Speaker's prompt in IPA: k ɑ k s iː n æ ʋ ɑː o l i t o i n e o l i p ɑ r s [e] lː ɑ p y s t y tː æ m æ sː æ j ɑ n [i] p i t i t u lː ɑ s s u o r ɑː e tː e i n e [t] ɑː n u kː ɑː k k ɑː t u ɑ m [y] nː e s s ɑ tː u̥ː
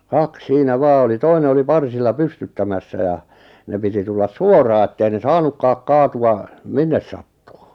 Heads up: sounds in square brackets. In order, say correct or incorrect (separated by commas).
incorrect, incorrect, incorrect, incorrect